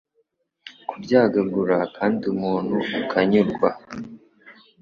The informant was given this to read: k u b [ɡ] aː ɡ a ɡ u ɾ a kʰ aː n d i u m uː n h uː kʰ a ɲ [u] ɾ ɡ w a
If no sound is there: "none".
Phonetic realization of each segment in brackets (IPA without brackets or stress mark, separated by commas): ɟ, u